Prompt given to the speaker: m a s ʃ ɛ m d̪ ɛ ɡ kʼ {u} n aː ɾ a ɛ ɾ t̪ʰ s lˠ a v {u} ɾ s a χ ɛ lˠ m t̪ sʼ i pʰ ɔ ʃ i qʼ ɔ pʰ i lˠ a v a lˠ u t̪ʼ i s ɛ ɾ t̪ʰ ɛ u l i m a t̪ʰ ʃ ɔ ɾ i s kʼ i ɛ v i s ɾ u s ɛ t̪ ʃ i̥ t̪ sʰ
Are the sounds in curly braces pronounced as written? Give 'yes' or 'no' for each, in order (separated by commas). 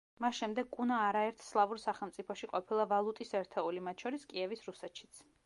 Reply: yes, yes